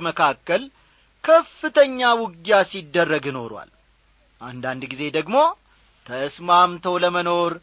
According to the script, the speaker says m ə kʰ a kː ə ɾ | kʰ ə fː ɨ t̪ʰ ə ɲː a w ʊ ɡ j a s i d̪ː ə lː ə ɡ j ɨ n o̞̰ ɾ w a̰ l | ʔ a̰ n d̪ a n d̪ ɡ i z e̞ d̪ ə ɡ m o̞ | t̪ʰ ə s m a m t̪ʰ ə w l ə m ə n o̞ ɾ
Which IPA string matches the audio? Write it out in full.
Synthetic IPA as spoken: m ə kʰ a kː ə l | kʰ ə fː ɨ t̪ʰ ə ɲː a w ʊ ɡ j a s i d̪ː ə rː ə ɡ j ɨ n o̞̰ ɾ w a̰ l | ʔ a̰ n d̪ a n d̪ ɡ i z e̞ d̪ ə ɡ m o̞ | t̪ʰ ə s m a m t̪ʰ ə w l ə m ə n o̞ ɾ